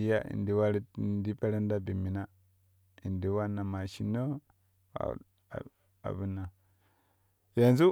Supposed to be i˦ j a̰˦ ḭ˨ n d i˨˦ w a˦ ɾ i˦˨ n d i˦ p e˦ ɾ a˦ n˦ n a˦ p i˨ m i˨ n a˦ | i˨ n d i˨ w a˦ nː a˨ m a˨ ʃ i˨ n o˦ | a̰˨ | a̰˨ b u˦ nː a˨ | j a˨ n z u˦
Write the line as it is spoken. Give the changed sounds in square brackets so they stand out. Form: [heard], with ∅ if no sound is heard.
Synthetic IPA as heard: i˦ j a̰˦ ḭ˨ n d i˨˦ w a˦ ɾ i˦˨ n d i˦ p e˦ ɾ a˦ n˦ [d] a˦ [b] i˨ m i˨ n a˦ | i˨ n d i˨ w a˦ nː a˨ m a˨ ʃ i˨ n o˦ | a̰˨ | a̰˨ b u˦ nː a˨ | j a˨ n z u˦